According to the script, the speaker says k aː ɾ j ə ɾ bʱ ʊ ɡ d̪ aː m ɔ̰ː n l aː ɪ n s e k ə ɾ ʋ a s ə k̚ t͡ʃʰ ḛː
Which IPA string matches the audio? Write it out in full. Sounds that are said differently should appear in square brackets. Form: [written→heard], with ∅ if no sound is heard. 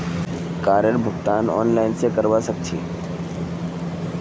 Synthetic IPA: k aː ɾ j ə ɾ bʱ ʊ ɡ [d̪→t̪] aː [m→n] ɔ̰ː n l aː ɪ n s e k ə ɾ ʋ a s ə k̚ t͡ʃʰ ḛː